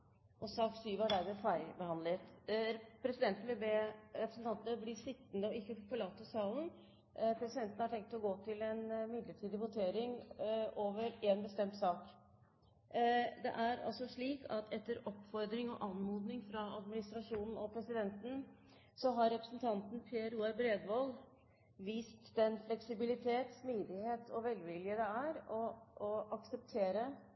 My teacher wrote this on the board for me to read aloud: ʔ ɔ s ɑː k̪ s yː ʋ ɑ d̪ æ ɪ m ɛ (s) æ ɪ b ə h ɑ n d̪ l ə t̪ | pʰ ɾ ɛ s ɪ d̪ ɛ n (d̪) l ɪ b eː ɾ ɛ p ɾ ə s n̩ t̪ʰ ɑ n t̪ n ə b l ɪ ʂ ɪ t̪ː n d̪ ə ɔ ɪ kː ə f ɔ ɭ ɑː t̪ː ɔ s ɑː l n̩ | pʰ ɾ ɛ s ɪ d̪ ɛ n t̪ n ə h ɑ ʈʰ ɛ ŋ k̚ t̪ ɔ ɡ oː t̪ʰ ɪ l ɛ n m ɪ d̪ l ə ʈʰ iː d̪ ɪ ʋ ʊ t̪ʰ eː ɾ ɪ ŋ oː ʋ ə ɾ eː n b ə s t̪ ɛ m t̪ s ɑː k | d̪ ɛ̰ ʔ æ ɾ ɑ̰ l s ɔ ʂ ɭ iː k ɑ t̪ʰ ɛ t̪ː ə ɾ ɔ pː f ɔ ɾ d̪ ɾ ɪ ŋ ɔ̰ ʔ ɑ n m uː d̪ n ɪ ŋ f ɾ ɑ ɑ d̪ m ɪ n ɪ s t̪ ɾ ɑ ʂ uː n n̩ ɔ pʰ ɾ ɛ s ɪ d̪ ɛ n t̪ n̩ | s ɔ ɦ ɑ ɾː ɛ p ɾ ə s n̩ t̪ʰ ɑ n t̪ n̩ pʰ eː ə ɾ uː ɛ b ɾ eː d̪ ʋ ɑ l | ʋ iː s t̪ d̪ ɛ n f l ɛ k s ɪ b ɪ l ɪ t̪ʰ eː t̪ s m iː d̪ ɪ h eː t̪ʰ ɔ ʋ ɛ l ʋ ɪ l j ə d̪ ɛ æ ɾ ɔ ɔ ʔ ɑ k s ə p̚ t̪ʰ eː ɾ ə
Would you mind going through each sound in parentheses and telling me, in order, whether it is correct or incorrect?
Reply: incorrect: f, incorrect: t̪

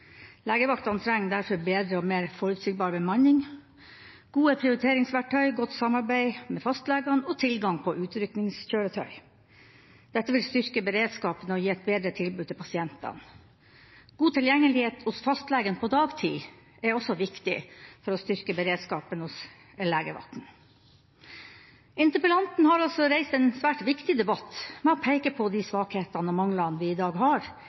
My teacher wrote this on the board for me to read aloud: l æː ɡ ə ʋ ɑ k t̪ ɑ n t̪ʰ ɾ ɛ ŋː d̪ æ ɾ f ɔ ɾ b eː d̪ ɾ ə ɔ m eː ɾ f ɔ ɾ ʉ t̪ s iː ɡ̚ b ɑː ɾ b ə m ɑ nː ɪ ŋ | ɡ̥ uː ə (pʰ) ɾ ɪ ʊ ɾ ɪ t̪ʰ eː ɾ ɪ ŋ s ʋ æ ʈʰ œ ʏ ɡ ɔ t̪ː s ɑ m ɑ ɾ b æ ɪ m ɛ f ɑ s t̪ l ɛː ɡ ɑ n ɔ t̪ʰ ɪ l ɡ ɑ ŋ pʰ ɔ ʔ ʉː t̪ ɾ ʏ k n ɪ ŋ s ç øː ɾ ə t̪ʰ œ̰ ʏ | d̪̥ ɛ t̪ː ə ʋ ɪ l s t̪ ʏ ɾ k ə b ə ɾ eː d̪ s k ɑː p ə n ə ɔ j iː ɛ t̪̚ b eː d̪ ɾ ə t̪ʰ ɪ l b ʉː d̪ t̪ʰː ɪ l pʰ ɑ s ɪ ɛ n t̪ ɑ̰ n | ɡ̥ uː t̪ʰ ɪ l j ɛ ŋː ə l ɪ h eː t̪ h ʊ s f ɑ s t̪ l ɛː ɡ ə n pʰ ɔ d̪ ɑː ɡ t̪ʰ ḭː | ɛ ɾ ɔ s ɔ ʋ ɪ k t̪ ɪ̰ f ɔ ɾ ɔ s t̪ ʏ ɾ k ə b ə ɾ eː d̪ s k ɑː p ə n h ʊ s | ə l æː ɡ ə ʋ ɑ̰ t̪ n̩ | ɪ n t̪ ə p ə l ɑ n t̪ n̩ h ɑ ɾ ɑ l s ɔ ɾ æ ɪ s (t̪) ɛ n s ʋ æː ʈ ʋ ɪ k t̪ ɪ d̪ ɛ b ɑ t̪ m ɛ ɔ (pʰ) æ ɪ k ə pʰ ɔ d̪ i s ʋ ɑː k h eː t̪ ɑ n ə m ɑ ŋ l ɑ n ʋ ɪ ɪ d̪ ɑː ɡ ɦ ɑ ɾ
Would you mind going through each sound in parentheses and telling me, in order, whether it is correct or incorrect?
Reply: correct, correct, correct

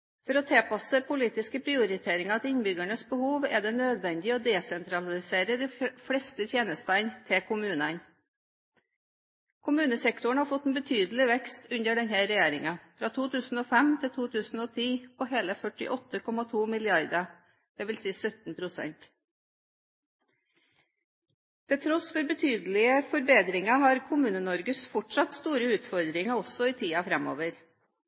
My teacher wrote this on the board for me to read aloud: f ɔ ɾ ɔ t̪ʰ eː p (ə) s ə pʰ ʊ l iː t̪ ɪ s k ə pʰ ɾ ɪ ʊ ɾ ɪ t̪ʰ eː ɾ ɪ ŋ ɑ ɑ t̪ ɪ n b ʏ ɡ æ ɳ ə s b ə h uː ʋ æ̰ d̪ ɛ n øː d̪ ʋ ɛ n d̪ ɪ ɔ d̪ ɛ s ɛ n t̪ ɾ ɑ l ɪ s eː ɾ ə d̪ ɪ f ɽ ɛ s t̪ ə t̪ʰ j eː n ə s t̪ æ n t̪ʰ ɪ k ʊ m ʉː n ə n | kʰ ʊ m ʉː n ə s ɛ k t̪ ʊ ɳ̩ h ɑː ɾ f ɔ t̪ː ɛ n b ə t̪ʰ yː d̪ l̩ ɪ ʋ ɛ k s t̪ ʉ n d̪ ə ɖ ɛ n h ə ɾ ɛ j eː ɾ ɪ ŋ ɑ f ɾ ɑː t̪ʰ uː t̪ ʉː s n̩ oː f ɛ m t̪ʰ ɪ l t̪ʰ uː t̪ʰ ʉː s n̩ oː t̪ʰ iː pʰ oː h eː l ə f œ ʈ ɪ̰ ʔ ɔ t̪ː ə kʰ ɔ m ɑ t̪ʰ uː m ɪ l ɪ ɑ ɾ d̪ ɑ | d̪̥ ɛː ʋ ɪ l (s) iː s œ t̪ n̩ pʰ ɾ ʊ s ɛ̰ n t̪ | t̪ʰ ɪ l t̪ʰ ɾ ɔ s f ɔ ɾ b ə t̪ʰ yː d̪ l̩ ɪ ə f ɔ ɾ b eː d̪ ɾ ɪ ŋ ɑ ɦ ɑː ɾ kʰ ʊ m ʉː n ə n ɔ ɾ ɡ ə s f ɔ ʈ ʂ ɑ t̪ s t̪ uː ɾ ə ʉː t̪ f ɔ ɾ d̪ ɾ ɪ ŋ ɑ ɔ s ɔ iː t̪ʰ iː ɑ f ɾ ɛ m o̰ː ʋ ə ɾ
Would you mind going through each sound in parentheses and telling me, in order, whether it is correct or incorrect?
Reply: incorrect: ɑ, correct

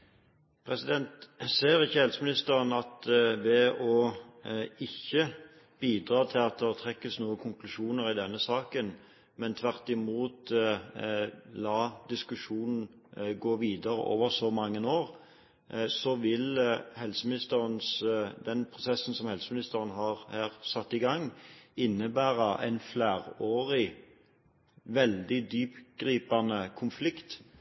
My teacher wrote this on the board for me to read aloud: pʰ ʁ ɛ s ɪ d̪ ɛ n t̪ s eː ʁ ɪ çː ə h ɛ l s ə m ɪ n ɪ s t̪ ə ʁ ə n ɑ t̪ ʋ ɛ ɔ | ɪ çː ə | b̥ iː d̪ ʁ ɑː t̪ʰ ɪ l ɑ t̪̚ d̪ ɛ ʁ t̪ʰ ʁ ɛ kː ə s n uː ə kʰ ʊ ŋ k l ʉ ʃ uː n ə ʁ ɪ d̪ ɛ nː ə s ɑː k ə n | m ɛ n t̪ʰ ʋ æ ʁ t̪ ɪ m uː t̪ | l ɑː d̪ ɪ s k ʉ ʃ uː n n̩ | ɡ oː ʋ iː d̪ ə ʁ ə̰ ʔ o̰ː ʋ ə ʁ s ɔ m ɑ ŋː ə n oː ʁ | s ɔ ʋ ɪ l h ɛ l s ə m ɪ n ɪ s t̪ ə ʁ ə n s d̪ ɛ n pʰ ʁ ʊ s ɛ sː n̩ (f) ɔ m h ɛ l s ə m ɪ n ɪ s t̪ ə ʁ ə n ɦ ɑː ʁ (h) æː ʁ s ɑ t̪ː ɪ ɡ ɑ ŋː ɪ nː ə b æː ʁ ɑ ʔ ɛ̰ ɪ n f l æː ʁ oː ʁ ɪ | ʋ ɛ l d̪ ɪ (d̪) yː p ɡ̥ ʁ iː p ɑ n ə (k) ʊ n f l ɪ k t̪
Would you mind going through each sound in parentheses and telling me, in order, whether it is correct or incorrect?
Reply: incorrect: s, correct, correct, incorrect: kʰ

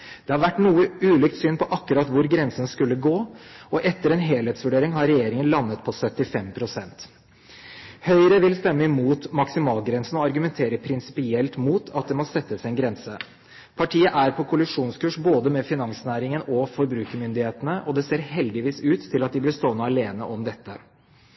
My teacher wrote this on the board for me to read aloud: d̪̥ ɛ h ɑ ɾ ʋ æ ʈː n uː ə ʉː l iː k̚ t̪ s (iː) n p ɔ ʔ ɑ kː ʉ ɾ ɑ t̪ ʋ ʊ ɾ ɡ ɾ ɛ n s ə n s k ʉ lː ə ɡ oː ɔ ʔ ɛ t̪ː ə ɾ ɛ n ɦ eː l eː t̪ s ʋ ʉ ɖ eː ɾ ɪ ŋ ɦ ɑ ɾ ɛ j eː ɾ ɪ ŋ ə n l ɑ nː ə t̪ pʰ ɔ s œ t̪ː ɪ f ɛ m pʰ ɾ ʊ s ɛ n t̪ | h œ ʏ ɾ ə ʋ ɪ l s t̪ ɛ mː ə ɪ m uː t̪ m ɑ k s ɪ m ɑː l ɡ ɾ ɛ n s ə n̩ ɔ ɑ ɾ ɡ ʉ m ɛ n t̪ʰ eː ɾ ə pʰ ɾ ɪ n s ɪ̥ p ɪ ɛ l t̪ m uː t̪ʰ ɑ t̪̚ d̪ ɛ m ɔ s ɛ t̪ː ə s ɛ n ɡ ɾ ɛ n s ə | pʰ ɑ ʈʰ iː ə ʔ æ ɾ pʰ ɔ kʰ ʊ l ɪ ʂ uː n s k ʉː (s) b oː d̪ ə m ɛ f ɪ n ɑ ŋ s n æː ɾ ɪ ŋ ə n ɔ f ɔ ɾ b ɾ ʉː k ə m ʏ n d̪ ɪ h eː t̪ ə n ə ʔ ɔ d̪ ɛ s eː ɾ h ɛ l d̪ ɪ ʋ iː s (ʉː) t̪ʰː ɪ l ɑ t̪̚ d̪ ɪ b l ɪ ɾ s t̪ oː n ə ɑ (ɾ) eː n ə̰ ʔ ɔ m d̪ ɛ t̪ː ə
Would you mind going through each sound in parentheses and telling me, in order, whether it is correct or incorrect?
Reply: incorrect: yː, incorrect: ʂ, correct, incorrect: l

